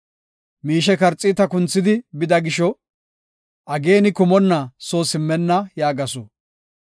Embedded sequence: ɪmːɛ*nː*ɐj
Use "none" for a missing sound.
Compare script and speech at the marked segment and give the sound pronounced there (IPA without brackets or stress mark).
nː